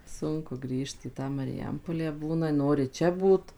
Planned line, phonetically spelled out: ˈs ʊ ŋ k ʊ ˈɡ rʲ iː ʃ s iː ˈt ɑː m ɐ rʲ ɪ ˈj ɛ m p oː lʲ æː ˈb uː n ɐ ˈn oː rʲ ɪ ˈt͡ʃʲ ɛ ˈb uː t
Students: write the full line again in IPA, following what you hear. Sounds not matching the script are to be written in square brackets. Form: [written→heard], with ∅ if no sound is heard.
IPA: ˈs ʊ ŋ k ʊ ˈɡ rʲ iː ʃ [s→t] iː ˈt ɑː m ɐ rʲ ɪ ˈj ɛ m p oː lʲ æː ˈb uː n ɐ ˈn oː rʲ ɪ ˈt͡ʃʲ ɛ ˈb uː t